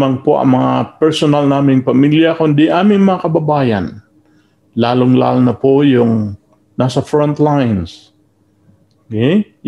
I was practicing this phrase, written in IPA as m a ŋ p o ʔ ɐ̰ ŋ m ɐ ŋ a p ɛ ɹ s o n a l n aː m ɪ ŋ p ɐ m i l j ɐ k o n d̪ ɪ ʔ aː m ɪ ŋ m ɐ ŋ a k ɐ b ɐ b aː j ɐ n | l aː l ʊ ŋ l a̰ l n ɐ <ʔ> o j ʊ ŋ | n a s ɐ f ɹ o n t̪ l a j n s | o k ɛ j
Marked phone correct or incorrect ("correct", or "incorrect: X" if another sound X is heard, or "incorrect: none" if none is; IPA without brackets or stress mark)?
incorrect: p